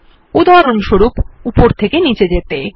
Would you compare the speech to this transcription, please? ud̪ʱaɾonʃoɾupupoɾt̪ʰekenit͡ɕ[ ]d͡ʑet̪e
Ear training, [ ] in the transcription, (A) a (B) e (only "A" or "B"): B